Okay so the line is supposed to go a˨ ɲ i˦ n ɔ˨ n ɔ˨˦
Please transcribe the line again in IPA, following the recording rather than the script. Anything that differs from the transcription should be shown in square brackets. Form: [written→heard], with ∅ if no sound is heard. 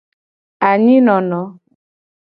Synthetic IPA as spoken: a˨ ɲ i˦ n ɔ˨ n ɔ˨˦